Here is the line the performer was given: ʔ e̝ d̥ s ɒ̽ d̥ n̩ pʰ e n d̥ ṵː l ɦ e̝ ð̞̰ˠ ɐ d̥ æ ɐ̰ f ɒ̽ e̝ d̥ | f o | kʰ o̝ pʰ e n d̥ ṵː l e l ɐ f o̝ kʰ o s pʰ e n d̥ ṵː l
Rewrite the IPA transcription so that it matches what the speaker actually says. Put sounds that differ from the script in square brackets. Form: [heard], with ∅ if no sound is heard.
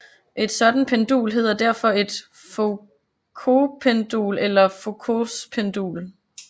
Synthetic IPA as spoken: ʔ e̝ d̥ s ɒ̽ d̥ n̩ pʰ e n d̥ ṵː l ɦ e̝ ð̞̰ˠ ɐ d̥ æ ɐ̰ f ɒ̽ e̝ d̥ | f o | kʰ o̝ pʰ e n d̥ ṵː l e l ɐ f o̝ kʰ o s pʰ e n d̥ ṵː l

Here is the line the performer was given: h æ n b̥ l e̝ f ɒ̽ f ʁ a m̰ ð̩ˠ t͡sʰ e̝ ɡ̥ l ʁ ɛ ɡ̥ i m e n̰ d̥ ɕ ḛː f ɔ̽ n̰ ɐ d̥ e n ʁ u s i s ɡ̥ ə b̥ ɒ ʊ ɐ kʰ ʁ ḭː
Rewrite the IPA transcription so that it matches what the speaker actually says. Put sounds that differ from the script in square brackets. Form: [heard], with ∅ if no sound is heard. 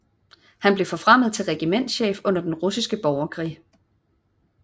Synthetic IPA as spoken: h æ n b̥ l e̝ f ɒ̽ f ʁ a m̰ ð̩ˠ t͡sʰ e̝ [∅] l ʁ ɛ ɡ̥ i m e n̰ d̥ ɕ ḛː f ɔ̽ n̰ ɐ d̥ e n ʁ u s i s ɡ̥ ə b̥ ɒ ʊ ɐ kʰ ʁ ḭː

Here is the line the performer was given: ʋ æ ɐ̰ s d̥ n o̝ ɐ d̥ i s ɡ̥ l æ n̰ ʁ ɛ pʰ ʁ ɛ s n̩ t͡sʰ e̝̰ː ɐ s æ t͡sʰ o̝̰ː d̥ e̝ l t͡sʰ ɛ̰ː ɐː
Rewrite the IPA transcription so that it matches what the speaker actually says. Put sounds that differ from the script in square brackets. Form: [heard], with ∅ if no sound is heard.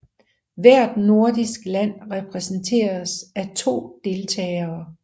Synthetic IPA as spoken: ʋ æ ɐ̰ [∅] d̥ n o̝ ɐ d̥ i s ɡ̥ l æ n̰ ʁ ɛ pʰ ʁ ɛ s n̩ t͡sʰ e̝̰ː ɐ s æ t͡sʰ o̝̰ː d̥ e̝ l t͡sʰ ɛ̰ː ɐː

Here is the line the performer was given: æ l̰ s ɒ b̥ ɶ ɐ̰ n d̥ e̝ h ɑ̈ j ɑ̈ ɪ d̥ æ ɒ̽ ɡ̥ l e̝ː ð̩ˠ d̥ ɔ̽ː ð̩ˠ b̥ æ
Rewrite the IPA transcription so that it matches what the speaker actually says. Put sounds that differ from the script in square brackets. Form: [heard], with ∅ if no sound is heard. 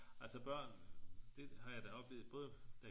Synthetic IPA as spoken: æ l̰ s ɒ b̥ ɶ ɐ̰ n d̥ e̝ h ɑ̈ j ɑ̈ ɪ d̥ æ ɒ̽ [b̥] l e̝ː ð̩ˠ [b̥] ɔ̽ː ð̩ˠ [d̥] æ

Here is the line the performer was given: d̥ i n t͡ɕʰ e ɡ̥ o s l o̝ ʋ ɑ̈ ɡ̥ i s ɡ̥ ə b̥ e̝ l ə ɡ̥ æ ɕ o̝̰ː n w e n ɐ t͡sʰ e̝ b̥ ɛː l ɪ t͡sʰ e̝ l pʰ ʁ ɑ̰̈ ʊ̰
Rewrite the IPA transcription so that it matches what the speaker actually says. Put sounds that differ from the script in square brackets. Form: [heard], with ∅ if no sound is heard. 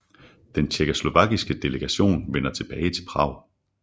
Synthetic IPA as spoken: d̥ [e] n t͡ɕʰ e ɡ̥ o s l o̝ ʋ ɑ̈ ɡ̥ i s ɡ̥ ə [d̥] e̝ l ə ɡ̥ æ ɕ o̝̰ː n [ʋ] e n ɐ t͡sʰ e̝ b̥ ɛː [∅] ɪ t͡sʰ e̝ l pʰ ʁ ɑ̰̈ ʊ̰

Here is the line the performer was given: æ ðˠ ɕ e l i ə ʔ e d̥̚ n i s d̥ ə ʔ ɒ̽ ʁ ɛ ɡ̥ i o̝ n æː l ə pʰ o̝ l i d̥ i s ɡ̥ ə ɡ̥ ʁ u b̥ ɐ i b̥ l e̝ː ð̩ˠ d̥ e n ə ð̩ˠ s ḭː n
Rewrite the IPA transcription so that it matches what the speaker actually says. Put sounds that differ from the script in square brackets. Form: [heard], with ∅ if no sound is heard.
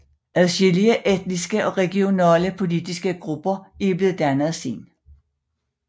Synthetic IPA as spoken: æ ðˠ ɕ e l i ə ʔ e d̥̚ n i s [ɡ̥] ə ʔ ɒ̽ ʁ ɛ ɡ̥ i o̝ n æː l ə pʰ o̝ l i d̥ i s ɡ̥ ə ɡ̥ ʁ u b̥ ɐ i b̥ l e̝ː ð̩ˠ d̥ [æ] n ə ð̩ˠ s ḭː n

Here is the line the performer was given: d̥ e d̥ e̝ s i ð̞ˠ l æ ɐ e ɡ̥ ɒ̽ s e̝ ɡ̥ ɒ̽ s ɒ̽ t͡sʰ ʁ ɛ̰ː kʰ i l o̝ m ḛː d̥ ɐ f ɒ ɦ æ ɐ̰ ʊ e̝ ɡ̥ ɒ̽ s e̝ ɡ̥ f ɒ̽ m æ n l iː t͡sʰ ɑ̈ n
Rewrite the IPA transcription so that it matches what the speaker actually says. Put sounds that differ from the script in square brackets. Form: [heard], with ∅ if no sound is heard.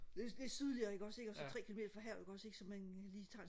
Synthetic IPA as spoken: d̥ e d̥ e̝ s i ð̞ˠ l [i] ɐ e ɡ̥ ɒ̽ s e̝ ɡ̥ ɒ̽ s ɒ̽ t͡sʰ ʁ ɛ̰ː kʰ i l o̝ m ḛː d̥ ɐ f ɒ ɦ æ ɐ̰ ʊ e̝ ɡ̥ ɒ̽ s e̝ ɡ̥ [s] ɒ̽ m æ n l iː t͡sʰ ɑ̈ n

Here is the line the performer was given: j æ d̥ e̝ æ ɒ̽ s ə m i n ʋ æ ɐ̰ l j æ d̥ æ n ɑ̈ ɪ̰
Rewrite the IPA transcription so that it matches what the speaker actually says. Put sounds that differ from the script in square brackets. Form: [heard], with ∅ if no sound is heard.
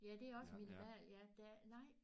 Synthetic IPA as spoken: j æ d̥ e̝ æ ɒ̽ s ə m i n ʋ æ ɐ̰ l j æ d̥ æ n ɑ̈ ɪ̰

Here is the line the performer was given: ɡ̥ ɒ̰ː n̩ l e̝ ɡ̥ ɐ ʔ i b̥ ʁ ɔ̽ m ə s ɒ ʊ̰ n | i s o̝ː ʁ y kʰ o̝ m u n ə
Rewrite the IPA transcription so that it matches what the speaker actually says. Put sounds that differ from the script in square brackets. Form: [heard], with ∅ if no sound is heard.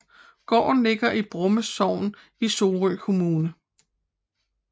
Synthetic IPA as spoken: ɡ̥ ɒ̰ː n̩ l e̝ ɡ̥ ɐ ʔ i b̥ ʁ ɔ̽ m ə s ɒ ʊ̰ n | i s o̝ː ʁ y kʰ o̝ m [uː] n ə

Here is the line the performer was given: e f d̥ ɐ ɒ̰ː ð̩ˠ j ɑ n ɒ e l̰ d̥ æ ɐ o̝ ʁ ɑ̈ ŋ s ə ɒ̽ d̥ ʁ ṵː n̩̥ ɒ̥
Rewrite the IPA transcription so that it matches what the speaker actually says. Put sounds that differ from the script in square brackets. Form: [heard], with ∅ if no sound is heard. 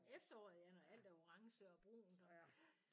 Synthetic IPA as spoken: e f d̥ ɐ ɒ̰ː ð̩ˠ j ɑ n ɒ [æ] l̰ d̥ æ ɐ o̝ ʁ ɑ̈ ŋ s ə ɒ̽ [b̥] ʁ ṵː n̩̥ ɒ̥

